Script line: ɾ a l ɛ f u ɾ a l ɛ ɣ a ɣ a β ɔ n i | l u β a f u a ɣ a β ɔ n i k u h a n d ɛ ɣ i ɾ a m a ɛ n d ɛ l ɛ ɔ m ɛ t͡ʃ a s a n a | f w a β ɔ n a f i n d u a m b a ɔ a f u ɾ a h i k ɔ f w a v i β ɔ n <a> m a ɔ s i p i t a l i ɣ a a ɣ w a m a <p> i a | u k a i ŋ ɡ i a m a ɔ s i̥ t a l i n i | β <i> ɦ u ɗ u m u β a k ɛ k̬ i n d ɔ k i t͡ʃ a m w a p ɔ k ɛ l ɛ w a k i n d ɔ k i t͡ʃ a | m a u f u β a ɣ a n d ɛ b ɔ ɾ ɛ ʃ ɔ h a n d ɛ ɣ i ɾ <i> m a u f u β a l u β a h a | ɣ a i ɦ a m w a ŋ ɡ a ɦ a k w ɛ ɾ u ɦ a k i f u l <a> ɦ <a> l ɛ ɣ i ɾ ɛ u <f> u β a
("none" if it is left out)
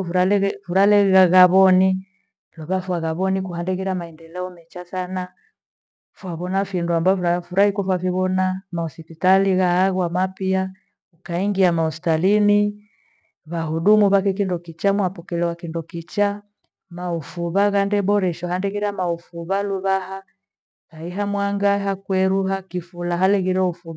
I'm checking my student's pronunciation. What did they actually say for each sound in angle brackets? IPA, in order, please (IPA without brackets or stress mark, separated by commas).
a, p, a, a, a, a, f